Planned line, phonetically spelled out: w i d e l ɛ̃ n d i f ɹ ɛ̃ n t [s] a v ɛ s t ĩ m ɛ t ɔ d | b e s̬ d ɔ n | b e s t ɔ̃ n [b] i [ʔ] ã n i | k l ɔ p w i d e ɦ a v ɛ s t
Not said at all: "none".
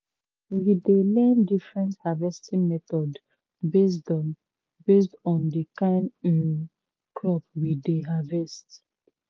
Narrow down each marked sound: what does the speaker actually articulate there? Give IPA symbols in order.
h, d, k

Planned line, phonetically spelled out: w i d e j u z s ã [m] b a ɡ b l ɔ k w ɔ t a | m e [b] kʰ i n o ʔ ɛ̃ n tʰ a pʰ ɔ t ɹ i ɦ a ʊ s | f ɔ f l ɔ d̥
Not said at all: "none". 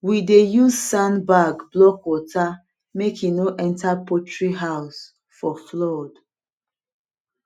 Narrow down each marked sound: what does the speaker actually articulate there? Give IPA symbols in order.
n, none

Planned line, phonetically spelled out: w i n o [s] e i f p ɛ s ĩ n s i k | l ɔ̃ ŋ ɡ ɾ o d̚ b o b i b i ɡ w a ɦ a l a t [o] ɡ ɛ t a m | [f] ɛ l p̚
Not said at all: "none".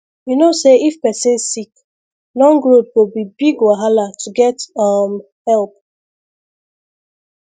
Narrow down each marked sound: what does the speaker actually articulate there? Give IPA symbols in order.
s, u, h

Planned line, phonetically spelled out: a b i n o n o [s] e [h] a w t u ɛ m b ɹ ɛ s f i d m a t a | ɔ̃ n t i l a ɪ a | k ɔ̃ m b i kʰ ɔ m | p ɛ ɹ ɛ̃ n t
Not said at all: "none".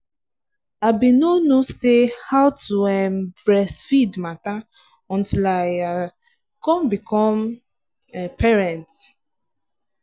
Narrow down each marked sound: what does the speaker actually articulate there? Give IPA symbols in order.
s, h

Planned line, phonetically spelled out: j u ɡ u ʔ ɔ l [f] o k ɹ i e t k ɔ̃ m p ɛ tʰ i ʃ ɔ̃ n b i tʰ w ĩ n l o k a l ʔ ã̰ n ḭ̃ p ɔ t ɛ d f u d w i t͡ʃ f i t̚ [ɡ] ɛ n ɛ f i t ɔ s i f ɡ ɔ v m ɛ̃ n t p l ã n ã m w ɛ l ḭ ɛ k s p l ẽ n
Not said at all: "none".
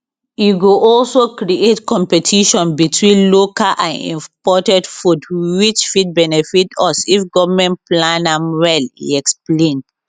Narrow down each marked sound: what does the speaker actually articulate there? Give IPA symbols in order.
s, b

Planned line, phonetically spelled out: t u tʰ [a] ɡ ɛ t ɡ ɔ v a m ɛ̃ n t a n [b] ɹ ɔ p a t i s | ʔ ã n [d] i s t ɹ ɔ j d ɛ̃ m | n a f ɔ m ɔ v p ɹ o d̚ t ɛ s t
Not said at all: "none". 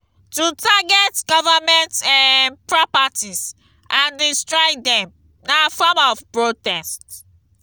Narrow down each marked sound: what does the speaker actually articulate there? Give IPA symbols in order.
a, p, d

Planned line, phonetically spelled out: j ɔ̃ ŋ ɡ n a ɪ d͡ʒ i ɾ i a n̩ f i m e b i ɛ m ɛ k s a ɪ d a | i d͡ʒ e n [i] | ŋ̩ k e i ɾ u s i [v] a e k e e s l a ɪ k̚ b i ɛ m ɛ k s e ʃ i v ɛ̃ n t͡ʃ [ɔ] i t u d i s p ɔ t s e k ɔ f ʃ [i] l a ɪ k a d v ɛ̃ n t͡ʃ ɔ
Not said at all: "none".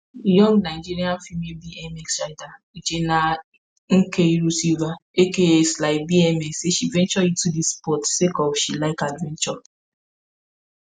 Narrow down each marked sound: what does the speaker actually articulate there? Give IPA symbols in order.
a, v, ɔ, i

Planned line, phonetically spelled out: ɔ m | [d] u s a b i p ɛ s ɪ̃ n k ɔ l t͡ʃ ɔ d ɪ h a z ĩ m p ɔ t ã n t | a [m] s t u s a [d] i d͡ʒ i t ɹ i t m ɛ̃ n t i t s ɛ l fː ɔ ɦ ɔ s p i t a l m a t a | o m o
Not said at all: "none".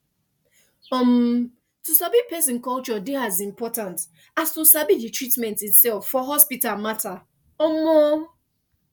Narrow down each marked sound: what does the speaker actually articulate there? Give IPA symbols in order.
t, none, b

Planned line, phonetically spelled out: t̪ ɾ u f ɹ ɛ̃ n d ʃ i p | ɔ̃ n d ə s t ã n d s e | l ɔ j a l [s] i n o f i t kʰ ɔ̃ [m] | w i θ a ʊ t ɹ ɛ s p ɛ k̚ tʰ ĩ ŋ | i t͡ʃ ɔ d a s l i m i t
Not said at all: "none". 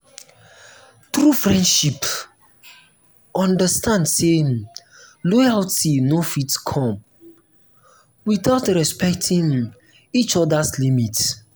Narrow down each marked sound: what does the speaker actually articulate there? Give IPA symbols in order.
t, m

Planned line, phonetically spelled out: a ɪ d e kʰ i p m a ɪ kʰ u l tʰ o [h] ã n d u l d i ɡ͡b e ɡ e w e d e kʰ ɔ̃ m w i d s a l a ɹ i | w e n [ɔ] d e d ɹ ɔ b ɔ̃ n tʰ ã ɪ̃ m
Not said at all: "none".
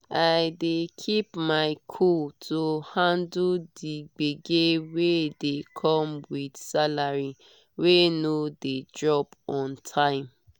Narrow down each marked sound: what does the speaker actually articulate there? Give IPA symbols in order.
h, o

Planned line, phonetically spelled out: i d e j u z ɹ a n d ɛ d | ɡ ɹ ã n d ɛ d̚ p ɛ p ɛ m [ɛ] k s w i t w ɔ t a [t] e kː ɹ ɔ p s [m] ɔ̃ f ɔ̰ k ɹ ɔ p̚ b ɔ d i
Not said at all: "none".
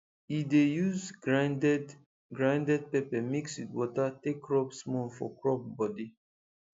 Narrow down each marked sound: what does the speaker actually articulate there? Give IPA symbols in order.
i, t, m

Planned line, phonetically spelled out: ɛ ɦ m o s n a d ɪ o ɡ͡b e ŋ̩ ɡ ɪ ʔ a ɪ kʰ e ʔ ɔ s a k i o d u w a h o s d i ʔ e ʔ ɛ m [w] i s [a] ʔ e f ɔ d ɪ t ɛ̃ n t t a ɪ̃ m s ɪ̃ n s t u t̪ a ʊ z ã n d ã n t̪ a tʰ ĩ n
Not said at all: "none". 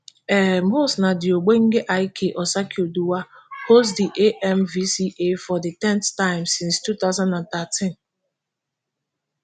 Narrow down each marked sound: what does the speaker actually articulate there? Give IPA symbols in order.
v, i

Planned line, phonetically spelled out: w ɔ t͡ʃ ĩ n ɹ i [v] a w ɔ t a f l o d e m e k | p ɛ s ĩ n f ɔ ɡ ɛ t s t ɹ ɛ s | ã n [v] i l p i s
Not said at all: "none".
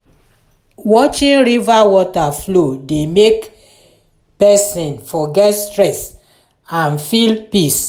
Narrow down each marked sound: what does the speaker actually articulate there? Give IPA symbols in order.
v, f

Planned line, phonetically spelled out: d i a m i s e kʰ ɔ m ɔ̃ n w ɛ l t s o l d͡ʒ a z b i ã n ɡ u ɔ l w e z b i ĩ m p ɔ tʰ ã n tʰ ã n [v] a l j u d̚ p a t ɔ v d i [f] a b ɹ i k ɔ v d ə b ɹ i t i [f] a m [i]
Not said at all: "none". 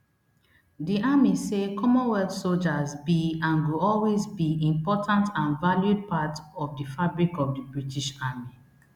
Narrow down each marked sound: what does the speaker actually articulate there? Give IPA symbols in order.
v, f, ʃ, i

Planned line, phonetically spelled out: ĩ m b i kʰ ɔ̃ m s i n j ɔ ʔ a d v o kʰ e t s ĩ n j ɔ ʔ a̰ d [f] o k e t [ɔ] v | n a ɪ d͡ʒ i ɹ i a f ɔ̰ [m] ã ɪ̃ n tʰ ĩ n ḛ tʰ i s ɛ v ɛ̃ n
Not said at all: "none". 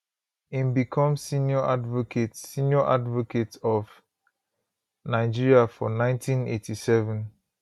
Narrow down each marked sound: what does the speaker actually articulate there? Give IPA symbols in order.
v, ɔ, n

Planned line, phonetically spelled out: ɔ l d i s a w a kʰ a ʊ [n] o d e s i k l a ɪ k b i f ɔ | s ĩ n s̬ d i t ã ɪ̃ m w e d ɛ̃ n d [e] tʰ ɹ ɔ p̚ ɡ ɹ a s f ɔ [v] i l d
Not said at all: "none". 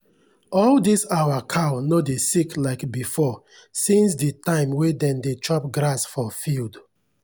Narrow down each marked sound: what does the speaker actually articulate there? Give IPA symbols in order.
n, e, f

